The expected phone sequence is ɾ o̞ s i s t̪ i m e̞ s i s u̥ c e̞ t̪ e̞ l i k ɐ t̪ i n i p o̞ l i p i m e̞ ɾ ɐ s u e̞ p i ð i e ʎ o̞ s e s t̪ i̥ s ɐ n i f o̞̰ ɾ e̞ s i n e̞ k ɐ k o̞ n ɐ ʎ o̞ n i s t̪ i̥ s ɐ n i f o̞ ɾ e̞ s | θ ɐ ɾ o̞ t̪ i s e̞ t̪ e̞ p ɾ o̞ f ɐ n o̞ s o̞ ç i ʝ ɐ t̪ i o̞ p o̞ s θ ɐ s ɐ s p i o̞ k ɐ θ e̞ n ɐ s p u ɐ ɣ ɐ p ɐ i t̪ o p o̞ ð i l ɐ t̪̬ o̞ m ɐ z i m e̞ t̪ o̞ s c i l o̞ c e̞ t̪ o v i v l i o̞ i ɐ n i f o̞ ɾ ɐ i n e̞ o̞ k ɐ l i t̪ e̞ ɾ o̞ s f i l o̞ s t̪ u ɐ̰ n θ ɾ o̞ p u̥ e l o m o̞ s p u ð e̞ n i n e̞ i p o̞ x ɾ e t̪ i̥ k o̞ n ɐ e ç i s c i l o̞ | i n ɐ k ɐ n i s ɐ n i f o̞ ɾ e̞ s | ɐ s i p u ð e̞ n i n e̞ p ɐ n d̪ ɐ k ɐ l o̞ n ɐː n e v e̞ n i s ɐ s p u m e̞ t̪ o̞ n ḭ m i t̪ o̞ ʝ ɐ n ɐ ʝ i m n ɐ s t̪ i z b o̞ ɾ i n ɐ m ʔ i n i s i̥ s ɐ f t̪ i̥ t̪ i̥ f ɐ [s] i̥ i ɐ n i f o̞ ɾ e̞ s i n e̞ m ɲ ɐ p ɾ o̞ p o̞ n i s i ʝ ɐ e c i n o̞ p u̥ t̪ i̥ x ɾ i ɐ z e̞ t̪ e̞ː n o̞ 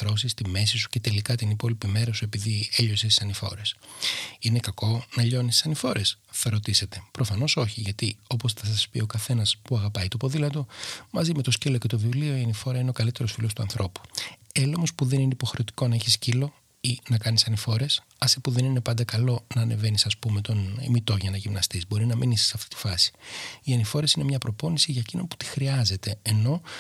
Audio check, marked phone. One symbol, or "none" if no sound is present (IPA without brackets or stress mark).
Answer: s